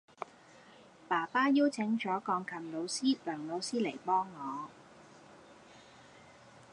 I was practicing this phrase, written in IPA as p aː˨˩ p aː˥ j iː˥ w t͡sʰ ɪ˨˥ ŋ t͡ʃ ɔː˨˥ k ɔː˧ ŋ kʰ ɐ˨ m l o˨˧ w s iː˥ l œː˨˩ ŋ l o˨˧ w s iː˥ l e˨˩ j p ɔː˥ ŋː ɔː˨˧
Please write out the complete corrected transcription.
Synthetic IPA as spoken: p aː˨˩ p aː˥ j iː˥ w t͡sʰ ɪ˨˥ ŋ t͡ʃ ɔː˨˥ k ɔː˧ ŋ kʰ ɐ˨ m l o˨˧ w s iː˥ l œː˨˩ ŋ l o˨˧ w s iː˥ l e˨˩ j p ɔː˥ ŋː ɔː˨˧